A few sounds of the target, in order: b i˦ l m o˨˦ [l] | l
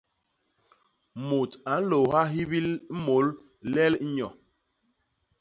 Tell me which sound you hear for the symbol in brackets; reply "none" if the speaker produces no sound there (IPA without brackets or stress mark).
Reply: l